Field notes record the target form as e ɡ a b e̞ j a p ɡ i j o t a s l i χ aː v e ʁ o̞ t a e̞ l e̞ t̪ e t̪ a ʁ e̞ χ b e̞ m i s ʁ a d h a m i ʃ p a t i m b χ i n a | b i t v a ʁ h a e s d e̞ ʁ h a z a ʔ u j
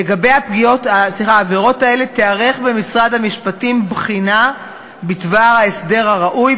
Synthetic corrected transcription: e ɡ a b e̞ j a p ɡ i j o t a s l i χ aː v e ʁ o̞ t a e̞ l e̞ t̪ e a ʁ e̞ χ b e̞ m i s ʁ a d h a m i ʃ p a t i m b χ i n a | b i t v a ʁ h a e s d e̞ ʁ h a ʁ a ʔ u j

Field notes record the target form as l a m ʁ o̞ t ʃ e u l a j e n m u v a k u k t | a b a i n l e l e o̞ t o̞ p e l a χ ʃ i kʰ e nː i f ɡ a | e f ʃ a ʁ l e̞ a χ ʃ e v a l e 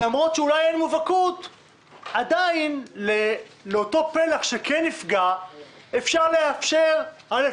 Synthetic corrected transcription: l a m ʁ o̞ t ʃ e u l a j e n m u v a k u t | a d a i n l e l e o̞ t o̞ p e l a χ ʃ e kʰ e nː i f ɡ a | e f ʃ a ʁ l e̞ a f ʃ e ʁ a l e

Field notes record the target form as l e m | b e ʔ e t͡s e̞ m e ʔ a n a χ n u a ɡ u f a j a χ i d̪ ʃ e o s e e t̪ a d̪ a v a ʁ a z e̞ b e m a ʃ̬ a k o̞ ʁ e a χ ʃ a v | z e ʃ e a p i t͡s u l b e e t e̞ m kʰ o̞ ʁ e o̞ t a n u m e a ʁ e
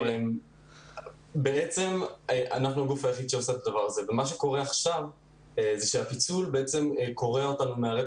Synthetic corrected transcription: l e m | b e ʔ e t͡s e̞ m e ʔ a n a χ n u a ɡ u f a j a χ i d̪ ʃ e o s e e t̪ a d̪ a v a ʁ a z e̞ v e m a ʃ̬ e k o̞ ʁ e a χ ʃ a v | z e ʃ e a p i t͡s u l b e e t͡s e̞ m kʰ o̞ ʁ e o̞ t a n u m e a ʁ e

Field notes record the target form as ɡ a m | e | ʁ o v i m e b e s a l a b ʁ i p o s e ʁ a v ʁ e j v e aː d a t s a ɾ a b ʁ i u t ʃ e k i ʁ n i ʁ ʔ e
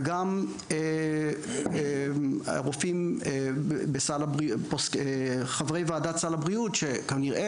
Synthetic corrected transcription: ɡ a m | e | ʁ o f i m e b e s a l a b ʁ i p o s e χ a v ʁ e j v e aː d a t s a l a b ʁ i u t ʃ e k a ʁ n i ʁ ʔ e

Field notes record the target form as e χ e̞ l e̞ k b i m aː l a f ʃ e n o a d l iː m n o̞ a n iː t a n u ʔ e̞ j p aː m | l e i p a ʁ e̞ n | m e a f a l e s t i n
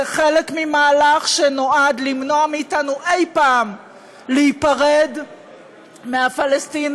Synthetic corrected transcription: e χ e̞ l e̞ k m i m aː l a χ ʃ e n o a d l i m n o̞ a m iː t a n u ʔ e̞ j p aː m | l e i p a ʁ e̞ d | m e a f a l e s t i n

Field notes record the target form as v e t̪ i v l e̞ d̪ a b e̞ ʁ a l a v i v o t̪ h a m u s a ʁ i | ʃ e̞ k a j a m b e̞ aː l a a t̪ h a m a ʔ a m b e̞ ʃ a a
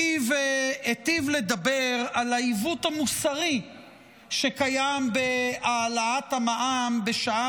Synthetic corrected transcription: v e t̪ i v l e̞ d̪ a b e̞ ʁ a l a i v u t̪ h a m u s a ʁ i | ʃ e̞ k a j a m b e̞ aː l a a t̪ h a m a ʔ a m b e̞ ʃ a a

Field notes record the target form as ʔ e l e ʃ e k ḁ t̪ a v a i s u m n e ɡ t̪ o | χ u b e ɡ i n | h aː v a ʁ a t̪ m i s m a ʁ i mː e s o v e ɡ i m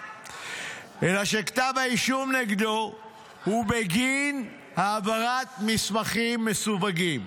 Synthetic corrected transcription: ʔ e l a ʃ e k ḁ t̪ a v a i ʃ u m n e ɡ d̪ o | h u b e ɡ i n | h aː v a ʁ a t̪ m i s m a χ i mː e s u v a ɡ i m

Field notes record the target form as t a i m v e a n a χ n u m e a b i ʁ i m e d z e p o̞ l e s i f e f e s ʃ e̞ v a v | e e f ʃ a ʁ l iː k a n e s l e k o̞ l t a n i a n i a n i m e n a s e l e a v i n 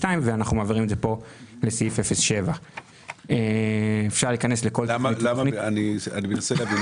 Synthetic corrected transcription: t a i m v e a n a χ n u m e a v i ʁ i m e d z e p o̞ l e s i f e f e s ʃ e̞ v a | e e f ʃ a ʁ l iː k a n e s l e k o̞ l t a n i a n i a n i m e n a s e l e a v i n

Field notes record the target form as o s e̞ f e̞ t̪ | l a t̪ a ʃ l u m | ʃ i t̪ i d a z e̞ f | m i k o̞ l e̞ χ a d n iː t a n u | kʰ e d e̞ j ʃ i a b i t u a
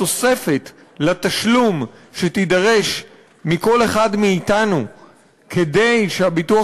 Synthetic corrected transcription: o s e̞ f e̞ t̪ | l a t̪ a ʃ l u m | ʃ e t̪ i d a ʁ e̞ ʃ | m i k o̞ l e̞ χ a d m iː t a n u | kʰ e d e̞ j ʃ e a b i t u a

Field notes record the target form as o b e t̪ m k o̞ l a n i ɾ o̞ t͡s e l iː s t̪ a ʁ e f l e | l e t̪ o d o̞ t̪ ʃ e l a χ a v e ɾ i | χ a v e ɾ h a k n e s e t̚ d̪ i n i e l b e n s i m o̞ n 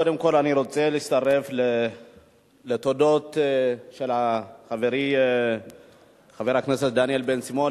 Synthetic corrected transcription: o d e m k o̞ l a n i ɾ o̞ t͡s e l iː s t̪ a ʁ e f l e | l e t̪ o d o̞ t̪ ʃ e l a χ a v e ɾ i | χ a v e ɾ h a k n e s e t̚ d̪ a n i e l b e n s i m o̞ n

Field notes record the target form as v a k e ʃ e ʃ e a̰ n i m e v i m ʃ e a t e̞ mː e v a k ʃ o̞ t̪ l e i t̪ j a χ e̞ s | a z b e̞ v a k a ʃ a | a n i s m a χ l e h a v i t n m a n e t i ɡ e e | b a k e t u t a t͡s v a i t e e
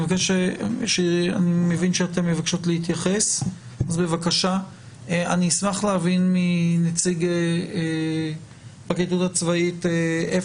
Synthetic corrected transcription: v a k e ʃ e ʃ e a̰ n i m e v i n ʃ e a t e̞ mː e v a k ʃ o̞ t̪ l e i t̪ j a χ e̞ s | a z b e̞ v a k a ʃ a | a n i s m a χ l e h a v i n m i n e t͡s i ɡ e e | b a k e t u t a t͡s v a i t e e

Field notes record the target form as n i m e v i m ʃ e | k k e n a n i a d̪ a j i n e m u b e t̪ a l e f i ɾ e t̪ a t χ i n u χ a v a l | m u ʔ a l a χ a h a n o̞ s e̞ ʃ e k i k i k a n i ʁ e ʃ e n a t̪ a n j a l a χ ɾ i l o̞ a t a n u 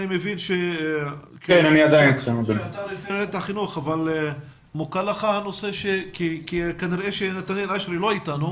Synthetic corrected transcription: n i m e v i n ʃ e | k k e n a n i a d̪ a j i n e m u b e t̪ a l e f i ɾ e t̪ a χ i n u χ a v a l | m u k a l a χ a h a n o̞ s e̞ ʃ e k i k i k a n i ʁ e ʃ e n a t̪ a n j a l a ʃ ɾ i l o̞ i t a n u

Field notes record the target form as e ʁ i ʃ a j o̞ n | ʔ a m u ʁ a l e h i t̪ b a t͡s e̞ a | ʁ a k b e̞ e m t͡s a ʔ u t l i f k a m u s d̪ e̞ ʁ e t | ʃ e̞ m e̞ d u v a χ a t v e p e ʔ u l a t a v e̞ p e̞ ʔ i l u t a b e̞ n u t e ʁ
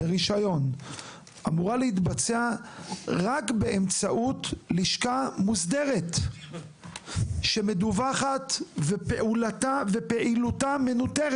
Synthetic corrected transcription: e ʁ i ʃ a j o̞ n | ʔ a m u ʁ a l e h i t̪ b a t͡s e̞ a | ʁ a k b e̞ e m t͡s a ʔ u t l i ʃ k a m u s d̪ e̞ ʁ e t | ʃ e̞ m e̞ d u v a χ a t v e p e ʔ u l a t a v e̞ p e̞ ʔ i l u t a m e̞ n u t e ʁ

